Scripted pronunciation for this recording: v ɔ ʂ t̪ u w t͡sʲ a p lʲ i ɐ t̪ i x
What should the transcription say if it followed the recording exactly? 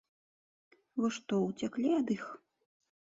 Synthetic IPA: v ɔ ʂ t̪ ɔ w t͡sʲ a k lʲ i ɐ d̪ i x